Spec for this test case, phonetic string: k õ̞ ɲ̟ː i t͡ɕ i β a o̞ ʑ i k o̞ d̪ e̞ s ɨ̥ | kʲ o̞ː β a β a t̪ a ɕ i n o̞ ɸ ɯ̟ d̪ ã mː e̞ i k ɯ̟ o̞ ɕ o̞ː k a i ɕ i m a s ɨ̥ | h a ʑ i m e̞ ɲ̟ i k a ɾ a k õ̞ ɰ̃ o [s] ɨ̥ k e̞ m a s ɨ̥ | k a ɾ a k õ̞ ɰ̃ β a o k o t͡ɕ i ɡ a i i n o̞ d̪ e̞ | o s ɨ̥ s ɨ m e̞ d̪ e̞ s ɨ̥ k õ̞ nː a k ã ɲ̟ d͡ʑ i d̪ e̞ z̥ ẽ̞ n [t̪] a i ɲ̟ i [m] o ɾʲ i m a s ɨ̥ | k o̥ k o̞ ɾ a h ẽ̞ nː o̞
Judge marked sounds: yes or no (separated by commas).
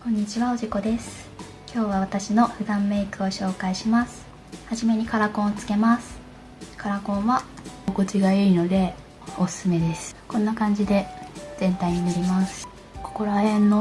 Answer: no, yes, no